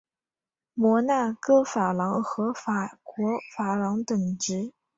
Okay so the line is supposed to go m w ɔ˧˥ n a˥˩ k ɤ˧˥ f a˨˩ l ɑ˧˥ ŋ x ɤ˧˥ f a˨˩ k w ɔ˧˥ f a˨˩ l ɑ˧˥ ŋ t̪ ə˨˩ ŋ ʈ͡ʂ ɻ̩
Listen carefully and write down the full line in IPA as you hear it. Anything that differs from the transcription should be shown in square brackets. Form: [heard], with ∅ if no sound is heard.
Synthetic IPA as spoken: m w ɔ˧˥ n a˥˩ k [ɤ˥˩] f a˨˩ l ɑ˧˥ ŋ x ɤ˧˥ f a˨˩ k w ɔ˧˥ f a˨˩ l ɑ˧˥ ŋ t̪ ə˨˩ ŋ ʈ͡ʂ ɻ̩